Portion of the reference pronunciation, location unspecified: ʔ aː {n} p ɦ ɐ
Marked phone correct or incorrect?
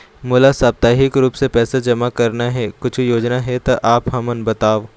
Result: incorrect